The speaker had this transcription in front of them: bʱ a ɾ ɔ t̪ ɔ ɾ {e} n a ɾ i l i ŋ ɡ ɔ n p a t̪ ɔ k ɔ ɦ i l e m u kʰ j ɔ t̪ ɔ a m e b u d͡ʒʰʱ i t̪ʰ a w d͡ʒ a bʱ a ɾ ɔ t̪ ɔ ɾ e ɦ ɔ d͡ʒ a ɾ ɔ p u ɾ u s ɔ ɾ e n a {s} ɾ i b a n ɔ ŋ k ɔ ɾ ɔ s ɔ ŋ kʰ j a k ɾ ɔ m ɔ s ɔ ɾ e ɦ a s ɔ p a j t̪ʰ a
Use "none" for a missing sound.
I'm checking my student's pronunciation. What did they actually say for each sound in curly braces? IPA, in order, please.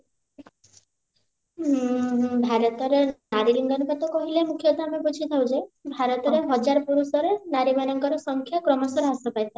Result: e, none

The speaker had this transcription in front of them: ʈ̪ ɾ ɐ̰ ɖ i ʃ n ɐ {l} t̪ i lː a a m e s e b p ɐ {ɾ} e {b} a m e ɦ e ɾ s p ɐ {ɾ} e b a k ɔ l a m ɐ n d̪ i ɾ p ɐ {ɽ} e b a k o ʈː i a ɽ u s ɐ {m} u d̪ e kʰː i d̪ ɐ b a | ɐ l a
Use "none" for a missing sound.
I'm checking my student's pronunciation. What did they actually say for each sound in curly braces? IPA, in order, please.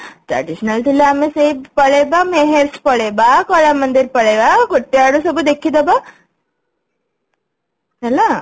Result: l, ɭ, b, ɭ, ɭ, b

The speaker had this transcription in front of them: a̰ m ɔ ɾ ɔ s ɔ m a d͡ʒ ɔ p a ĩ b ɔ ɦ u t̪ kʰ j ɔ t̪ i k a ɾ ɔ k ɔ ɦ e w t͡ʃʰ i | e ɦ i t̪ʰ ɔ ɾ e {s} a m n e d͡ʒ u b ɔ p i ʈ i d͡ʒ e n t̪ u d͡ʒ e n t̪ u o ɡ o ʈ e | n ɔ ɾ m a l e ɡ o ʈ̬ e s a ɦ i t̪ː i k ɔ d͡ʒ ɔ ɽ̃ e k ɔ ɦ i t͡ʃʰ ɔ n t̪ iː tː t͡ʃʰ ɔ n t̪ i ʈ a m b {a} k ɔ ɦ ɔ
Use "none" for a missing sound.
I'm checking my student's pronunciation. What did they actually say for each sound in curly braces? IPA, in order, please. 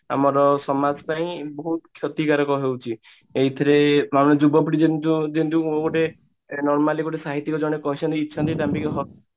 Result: none, i

